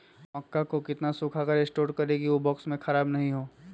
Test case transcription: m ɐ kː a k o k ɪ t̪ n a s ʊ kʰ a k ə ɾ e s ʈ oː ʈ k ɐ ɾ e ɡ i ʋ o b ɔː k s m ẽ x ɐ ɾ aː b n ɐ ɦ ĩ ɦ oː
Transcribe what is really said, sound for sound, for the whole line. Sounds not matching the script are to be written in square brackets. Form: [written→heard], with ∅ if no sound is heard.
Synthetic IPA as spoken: m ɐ kː a k o k ɪ t̪ n a s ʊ kʰ a k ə ɾ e s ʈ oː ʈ k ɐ ɾ e ɡ i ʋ o b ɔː k s m ẽ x ɐ ɾ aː b n ɐ ɦ ĩ ɦ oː